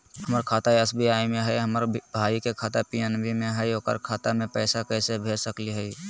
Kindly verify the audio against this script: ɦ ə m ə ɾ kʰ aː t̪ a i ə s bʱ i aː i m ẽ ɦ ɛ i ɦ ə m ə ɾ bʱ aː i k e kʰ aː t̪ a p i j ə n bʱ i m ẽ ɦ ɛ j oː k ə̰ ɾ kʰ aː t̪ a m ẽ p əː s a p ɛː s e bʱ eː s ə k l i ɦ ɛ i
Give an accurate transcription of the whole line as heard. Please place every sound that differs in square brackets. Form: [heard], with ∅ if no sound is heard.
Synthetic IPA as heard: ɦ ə m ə ɾ kʰ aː t̪ a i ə s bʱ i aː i m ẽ ɦ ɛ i ɦ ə m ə ɾ bʱ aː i k e kʰ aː t̪ a p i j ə n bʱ i m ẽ ɦ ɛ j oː k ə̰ ɾ kʰ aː t̪ a m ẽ p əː s a [k] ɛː s e bʱ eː s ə k l i ɦ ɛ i